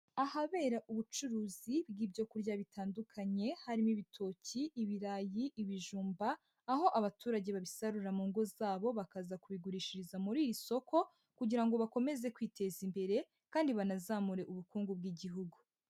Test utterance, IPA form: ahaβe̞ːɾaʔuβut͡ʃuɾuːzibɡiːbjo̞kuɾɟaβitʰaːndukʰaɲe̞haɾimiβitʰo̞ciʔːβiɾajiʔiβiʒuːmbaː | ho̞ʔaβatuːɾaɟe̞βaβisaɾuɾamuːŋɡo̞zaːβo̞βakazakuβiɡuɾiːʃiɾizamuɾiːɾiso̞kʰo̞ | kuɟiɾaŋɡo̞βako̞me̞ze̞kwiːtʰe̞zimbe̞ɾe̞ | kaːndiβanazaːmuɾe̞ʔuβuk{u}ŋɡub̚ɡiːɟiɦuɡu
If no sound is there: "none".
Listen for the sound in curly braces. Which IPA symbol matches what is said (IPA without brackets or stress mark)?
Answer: uː